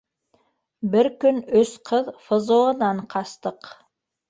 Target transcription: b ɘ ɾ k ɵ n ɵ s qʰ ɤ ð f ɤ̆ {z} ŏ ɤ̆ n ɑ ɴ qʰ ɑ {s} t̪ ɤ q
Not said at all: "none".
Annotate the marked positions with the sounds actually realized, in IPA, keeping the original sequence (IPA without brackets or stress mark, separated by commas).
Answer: z, s